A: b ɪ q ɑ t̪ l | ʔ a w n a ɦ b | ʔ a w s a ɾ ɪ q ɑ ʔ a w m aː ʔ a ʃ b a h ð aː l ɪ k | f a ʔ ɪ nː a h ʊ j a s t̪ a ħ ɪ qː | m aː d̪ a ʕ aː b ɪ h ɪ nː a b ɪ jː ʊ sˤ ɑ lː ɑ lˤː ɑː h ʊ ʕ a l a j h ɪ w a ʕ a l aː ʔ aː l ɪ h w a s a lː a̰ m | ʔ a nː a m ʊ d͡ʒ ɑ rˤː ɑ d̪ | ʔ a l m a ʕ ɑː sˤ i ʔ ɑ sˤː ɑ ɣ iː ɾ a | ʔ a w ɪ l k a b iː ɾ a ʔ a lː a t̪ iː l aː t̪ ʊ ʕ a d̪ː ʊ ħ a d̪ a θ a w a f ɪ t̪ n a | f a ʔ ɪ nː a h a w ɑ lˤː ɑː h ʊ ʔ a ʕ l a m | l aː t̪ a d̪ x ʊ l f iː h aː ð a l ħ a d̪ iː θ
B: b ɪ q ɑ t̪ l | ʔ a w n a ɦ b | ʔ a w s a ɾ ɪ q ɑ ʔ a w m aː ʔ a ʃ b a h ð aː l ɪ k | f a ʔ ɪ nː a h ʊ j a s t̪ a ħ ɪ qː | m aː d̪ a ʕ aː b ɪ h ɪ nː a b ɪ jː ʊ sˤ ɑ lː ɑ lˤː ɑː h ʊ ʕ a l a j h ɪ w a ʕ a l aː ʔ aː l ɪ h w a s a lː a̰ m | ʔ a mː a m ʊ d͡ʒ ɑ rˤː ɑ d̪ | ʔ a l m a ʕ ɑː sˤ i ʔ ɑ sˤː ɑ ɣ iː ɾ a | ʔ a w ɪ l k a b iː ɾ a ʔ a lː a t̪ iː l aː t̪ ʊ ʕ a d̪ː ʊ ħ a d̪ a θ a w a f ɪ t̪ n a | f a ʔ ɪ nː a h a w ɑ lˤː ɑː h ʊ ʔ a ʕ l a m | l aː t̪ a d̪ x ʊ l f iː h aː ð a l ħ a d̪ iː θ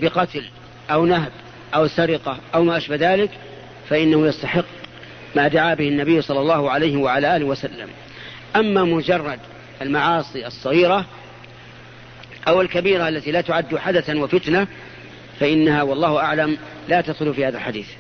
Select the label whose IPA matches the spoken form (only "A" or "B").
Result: B